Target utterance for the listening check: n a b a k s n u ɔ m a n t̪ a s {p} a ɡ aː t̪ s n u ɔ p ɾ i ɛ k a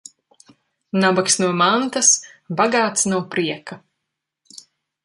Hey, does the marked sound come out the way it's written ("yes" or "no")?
no